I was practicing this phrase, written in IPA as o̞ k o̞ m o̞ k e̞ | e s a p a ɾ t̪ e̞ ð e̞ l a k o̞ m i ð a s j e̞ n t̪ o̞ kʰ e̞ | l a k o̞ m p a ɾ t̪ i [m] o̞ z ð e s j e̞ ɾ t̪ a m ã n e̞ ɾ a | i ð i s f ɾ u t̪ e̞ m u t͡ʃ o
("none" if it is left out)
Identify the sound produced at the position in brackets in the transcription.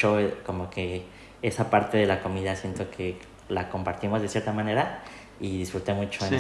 m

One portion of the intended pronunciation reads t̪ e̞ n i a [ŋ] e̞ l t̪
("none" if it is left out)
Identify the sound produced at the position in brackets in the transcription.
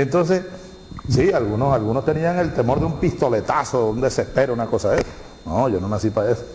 ŋ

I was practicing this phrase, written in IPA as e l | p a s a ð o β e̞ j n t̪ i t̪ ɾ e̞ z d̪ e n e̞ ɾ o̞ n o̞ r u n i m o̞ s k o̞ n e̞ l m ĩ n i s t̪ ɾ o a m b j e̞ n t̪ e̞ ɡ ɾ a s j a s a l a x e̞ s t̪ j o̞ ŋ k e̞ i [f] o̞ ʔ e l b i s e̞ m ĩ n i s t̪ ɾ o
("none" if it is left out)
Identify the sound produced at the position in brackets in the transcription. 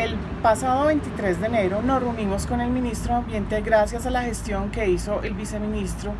s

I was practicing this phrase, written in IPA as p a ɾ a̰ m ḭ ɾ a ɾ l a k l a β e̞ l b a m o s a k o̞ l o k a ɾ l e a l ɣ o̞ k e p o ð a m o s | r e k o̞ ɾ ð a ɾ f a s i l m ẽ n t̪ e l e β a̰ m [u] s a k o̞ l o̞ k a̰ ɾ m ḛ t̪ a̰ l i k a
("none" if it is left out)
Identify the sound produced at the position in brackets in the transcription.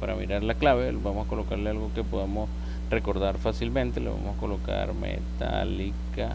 o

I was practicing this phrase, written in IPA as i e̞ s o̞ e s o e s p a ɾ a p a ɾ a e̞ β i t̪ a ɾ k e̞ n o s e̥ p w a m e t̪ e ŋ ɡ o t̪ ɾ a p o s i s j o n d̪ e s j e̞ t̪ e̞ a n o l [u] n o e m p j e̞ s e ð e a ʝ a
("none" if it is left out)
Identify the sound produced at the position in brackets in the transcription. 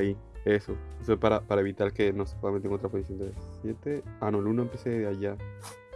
u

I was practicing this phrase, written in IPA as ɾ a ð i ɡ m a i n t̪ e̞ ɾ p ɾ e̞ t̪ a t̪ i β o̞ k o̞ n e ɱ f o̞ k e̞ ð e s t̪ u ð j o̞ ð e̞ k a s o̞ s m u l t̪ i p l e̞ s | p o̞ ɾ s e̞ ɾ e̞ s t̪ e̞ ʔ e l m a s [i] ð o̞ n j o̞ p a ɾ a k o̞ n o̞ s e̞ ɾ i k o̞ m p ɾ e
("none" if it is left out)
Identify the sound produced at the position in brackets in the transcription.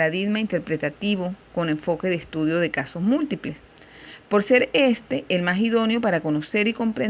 i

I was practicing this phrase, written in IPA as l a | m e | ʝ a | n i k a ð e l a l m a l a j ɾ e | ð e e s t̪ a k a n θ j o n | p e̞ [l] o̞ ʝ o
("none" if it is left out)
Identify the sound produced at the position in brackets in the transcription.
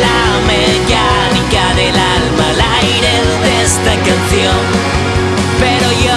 ɾ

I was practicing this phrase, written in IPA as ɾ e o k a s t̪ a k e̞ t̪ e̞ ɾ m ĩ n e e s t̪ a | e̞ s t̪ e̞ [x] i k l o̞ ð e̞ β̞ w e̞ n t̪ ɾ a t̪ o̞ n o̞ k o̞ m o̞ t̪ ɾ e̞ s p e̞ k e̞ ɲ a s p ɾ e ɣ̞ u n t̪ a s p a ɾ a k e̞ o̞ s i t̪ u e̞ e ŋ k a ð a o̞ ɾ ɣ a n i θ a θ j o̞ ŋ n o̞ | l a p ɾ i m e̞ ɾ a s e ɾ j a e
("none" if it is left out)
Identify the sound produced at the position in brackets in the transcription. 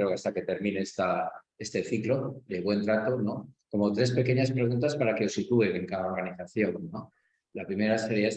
θ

